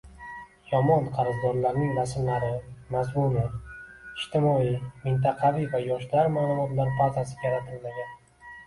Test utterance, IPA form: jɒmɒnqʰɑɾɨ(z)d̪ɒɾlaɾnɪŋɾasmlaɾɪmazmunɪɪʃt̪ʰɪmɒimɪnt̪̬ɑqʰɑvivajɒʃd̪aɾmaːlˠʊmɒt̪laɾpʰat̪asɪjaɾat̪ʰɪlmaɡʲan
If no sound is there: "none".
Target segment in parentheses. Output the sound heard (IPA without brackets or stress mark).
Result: z